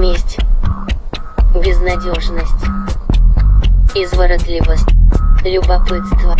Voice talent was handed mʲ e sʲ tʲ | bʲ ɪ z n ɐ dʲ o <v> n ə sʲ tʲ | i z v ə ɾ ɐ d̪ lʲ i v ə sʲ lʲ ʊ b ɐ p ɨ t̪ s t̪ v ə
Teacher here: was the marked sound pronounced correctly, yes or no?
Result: no